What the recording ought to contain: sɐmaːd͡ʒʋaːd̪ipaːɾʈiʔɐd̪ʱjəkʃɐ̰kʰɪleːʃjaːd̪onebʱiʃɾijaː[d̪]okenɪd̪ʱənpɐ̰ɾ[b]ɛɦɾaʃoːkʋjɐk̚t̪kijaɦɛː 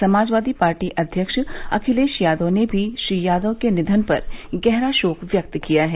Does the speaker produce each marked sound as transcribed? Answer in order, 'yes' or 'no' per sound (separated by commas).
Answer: yes, no